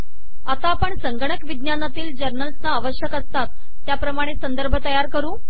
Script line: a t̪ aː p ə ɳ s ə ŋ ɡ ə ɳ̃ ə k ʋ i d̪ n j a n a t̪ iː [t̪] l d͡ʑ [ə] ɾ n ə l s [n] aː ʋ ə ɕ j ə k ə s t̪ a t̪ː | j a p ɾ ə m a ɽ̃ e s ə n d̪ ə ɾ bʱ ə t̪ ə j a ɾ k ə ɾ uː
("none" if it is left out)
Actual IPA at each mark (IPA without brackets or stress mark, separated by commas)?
none, ə, n